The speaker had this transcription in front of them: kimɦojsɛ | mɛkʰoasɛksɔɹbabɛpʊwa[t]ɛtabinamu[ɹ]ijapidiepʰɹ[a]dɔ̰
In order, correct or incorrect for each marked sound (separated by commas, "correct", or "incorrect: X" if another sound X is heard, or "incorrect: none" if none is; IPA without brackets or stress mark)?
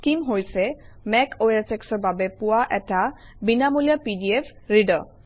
incorrect: ʔ, incorrect: l, incorrect: i